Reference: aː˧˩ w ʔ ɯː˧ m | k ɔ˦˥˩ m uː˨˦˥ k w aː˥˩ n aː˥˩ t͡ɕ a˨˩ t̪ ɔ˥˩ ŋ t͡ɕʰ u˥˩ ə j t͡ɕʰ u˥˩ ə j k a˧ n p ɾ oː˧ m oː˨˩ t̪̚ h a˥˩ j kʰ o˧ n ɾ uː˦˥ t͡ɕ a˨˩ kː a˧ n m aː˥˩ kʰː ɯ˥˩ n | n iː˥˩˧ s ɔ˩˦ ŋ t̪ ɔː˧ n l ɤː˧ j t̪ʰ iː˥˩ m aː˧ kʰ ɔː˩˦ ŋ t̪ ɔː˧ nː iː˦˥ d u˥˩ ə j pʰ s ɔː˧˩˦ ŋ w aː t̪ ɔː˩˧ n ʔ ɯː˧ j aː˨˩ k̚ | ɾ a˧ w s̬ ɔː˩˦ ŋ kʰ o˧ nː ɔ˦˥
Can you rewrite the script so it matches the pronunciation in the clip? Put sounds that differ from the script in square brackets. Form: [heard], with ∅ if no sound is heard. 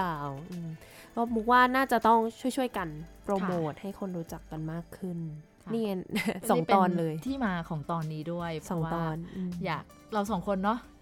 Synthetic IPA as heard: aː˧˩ w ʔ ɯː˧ m | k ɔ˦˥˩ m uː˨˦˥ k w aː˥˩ n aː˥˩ t͡ɕ a˨˩ t̪ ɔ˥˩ ŋ t͡ɕʰ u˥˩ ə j t͡ɕʰ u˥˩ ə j k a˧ n p ɾ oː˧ m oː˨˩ t̪̚ h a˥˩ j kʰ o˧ n ɾ uː˦˥ t͡ɕ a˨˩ kː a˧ n m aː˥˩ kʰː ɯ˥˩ n | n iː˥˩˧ s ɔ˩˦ ŋ t̪ ɔː˧ n l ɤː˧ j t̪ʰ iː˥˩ m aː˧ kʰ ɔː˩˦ ŋ t̪ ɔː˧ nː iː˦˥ d u˥˩ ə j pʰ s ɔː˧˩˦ ŋ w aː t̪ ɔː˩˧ n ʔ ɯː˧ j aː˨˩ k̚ | ɾ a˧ w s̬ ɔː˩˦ ŋ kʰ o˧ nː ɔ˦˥